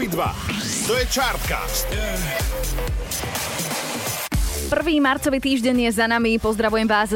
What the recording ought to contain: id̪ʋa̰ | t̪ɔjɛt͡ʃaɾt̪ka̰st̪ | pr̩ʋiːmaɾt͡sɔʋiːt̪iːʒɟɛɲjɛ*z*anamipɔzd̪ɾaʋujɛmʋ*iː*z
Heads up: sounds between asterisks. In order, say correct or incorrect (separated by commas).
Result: correct, incorrect